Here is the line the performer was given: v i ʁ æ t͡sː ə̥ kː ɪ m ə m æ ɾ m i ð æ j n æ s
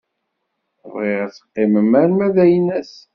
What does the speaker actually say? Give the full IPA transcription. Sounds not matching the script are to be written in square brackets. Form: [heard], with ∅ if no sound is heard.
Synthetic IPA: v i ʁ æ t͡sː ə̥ [qː] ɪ m ə m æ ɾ m [æ] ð æ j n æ s